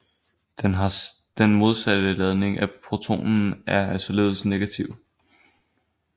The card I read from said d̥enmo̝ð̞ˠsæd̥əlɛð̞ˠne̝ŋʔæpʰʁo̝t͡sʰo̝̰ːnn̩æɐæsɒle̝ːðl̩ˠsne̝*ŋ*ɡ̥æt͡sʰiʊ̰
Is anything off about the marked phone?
yes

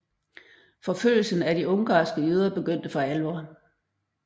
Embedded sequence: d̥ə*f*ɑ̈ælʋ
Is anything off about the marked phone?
no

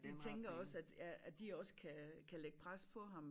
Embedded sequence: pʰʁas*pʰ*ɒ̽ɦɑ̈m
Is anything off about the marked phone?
no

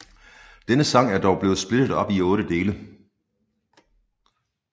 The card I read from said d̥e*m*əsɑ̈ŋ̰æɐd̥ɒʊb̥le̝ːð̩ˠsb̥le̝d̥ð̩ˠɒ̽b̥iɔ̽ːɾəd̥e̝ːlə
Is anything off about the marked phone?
yes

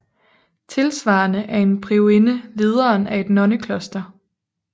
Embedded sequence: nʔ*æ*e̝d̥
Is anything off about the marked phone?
no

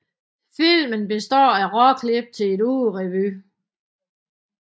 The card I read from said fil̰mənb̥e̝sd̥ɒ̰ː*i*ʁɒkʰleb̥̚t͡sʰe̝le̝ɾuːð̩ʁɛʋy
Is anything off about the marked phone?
yes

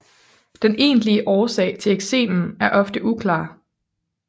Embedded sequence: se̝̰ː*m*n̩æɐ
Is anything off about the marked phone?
no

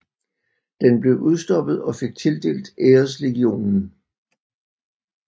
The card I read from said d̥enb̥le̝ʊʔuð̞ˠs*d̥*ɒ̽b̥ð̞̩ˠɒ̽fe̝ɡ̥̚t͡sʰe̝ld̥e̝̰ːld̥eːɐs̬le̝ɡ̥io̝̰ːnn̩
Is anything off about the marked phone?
no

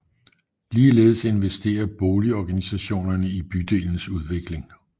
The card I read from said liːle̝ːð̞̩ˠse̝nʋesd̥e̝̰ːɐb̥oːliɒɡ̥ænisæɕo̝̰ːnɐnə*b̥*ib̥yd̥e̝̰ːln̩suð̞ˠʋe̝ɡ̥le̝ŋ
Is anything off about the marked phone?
yes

